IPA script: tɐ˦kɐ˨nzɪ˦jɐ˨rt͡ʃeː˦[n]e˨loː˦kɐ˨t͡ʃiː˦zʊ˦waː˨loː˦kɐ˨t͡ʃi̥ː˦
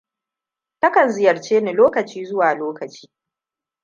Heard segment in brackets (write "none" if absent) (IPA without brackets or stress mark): n